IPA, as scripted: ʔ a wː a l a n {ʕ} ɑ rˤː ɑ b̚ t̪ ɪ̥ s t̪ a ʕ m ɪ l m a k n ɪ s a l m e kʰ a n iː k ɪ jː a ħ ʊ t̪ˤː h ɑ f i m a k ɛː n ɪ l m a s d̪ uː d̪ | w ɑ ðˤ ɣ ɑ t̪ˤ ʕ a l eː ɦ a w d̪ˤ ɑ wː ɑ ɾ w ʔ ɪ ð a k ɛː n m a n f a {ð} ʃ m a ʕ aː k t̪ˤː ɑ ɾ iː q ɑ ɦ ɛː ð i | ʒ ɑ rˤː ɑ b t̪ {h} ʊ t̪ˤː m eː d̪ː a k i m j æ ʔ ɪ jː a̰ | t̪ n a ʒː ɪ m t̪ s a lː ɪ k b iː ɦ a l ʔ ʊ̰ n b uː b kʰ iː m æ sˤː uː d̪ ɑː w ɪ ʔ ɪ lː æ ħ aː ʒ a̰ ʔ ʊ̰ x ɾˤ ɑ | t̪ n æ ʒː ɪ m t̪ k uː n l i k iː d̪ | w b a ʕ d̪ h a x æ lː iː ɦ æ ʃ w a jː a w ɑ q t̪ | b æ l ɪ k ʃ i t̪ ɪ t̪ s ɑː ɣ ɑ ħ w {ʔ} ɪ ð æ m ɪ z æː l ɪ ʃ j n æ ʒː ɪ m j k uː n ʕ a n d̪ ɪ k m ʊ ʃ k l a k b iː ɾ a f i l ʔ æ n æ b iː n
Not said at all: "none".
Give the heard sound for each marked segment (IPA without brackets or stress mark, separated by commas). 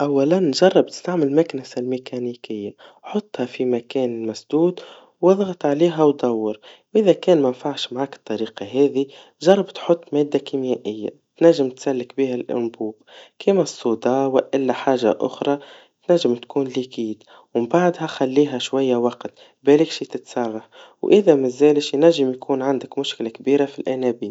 ʒ, ʕ, ħ, ʔ